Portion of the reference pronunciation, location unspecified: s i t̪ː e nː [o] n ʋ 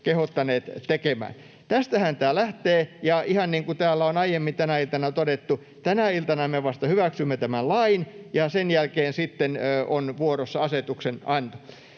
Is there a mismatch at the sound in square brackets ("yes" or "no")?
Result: no